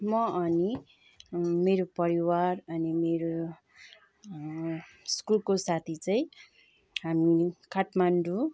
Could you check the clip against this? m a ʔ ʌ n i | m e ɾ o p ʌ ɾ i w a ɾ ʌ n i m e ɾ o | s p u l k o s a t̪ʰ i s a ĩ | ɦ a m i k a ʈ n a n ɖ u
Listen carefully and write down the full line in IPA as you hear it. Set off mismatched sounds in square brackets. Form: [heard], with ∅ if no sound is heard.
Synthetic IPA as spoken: m [ʌ] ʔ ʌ n i | m e ɾ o p ʌ ɾ i w a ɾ ʌ n i m e ɾ o | s [k] u l k o s a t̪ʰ i [t͡s] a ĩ | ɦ a m i k a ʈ [m] a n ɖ u